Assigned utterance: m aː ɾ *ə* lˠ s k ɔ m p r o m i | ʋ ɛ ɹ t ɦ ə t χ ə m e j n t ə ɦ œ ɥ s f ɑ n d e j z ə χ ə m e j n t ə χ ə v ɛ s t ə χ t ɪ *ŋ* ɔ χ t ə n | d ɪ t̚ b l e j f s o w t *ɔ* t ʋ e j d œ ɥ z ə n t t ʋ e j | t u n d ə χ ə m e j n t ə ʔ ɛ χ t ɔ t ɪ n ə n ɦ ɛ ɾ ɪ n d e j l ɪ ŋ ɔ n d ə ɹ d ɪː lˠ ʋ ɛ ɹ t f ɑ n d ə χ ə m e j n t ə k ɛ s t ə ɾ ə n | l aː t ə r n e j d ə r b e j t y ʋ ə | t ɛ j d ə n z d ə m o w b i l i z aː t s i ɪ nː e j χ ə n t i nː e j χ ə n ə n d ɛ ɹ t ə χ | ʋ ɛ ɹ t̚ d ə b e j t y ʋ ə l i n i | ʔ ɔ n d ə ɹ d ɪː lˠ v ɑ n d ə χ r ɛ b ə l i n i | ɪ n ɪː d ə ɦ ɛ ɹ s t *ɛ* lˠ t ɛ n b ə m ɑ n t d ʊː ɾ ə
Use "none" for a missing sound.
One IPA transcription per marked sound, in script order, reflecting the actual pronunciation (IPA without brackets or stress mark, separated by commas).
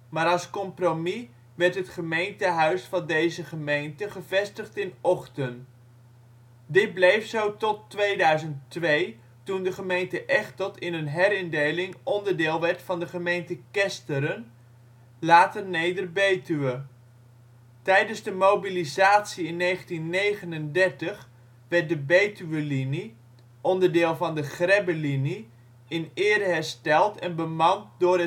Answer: ɑ, n, ɔ, ɛ